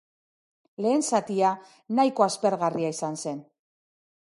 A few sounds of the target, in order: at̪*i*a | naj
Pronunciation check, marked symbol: correct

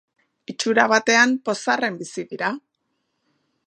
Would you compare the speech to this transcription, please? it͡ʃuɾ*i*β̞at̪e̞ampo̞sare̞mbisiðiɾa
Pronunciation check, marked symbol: incorrect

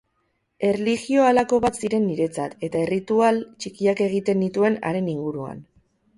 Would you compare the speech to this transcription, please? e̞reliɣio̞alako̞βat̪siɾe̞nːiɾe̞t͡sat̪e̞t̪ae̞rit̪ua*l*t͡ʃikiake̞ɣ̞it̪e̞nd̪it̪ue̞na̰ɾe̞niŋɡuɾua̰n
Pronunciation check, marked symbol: correct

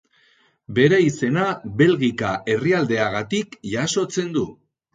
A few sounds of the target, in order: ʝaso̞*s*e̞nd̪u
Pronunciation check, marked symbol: incorrect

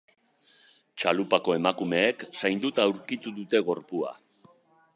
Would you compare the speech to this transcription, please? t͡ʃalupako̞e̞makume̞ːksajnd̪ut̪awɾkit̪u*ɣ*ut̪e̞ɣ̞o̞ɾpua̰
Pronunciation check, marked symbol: incorrect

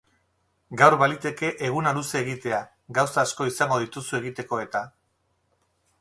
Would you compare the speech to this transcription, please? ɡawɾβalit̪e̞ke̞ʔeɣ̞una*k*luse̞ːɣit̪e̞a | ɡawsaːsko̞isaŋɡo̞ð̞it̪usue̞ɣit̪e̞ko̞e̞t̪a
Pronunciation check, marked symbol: incorrect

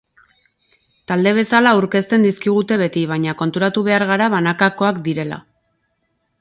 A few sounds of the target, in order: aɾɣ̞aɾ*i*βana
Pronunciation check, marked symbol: incorrect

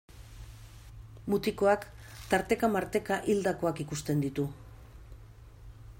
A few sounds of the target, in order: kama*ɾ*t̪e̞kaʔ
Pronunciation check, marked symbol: correct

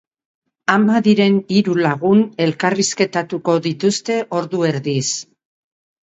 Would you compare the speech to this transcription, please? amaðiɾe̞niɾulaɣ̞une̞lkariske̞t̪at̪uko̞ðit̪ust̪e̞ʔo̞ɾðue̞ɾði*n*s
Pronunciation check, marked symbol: incorrect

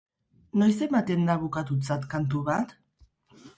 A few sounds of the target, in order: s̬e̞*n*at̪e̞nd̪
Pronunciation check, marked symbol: incorrect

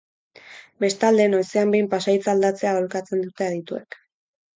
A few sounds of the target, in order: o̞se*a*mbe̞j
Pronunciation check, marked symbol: correct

